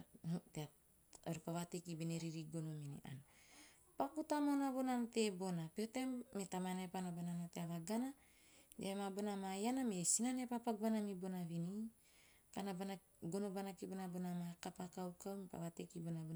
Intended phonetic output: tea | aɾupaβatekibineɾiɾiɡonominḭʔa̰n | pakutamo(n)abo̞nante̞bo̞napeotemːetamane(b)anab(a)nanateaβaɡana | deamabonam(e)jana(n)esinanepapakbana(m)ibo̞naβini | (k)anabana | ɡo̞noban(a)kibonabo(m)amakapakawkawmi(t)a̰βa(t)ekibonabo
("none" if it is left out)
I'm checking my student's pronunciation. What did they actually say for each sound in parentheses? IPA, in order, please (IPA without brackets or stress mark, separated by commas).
n, p, a, a, m, m, k, a, n, p, t